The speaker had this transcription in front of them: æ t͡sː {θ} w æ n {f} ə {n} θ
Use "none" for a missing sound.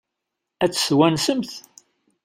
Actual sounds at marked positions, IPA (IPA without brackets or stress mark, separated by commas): s, s, m